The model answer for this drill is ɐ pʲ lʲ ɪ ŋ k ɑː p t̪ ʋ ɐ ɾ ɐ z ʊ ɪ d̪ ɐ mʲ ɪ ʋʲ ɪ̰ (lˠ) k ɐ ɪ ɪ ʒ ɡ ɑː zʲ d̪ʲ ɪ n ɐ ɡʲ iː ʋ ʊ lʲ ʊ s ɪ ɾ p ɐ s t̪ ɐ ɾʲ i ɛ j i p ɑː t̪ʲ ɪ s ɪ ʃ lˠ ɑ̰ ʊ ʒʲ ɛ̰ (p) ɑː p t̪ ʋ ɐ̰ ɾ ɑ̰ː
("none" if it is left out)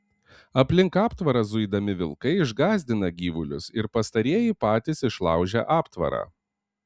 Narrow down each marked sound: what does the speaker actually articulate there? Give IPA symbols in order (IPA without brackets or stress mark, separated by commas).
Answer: lˠ, ʔ